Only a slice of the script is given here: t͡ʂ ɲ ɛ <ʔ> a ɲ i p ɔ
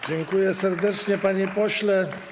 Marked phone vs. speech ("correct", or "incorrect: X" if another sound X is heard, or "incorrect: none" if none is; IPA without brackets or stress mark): incorrect: p